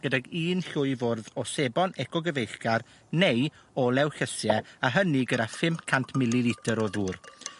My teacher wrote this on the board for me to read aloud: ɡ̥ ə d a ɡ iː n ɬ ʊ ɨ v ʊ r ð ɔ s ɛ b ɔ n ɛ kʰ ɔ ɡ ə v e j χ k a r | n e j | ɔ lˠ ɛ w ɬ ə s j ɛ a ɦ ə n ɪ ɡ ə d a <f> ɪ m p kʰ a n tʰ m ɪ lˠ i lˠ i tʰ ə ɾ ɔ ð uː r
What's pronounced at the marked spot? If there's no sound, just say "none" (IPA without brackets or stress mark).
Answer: f